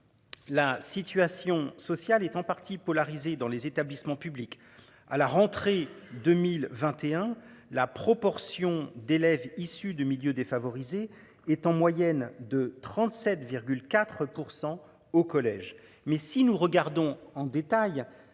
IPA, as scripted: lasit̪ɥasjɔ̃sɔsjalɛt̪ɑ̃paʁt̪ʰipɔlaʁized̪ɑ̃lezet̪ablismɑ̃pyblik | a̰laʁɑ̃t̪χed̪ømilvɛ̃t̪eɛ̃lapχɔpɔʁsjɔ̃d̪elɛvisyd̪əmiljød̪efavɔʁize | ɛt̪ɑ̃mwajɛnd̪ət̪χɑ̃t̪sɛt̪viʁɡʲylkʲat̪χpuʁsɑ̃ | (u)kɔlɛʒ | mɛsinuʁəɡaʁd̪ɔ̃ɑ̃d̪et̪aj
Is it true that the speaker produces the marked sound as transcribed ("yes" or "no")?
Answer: no